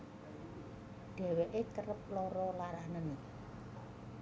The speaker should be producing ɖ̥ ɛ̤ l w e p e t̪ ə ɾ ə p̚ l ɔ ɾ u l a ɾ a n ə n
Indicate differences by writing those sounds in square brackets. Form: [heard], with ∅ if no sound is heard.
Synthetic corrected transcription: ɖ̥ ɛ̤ [∅] w e [ʔ] e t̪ ə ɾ ə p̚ l ɔ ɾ [ɔ] l a ɾ a n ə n